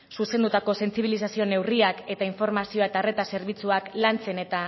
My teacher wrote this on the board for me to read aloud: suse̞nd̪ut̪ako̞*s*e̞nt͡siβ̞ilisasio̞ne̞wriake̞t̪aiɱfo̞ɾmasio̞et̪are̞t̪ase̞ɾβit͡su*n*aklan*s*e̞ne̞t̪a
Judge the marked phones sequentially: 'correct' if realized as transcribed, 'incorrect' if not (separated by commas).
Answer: correct, incorrect, incorrect